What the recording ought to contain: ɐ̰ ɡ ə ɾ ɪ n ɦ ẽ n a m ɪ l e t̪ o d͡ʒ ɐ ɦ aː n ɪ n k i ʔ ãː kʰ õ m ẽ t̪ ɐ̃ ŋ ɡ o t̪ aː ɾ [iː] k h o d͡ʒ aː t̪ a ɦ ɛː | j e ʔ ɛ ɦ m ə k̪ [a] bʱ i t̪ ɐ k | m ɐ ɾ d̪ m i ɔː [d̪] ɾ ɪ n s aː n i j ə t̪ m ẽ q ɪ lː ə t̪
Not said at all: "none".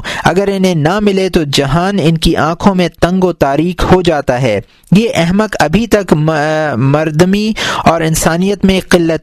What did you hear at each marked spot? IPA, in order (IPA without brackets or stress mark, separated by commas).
iː, ɐ, none